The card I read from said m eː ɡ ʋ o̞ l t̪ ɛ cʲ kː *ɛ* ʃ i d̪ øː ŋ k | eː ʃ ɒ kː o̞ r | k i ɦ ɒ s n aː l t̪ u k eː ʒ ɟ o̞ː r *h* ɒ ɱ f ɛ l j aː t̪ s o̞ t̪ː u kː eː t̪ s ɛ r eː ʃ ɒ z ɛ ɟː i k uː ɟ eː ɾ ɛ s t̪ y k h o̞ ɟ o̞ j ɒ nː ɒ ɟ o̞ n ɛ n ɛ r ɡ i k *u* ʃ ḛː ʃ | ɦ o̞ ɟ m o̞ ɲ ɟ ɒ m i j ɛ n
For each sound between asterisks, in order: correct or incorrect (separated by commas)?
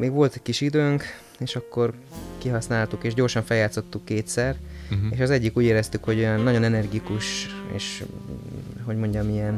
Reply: incorrect, incorrect, correct